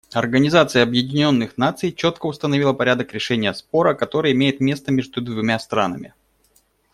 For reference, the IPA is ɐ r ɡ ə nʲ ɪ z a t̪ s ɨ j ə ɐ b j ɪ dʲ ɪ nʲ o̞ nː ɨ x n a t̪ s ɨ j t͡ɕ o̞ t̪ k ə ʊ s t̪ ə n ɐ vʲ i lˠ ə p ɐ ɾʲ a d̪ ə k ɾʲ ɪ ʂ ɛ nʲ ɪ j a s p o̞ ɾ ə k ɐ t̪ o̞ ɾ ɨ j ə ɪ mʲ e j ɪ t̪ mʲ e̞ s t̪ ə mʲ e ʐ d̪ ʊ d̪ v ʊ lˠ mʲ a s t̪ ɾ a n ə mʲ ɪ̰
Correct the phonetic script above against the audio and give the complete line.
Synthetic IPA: ɐ r ɡ ə nʲ ɪ z a t̪ s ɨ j ə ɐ b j ɪ dʲ ɪ nʲ o̞ nː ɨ x n a t̪ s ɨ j t͡ɕ o̞ t̪ k ə ʊ s t̪ ə n ɐ vʲ i lˠ ə p ɐ ɾʲ a d̪ ə k ɾʲ ɪ ʂ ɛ nʲ ɪ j ə s p o̞ ɾ ə k ɐ t̪ o̞ ɾ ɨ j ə ɪ mʲ e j ɪ t̪ mʲ e̞ s t̪ ə mʲ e ʐ d̪ ʊ d̪ v ʊ mʲ a s t̪ ɾ a n ə mʲ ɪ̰